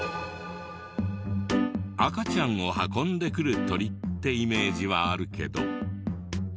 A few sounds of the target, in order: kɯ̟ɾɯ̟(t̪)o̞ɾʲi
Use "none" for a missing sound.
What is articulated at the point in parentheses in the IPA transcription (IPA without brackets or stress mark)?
t̪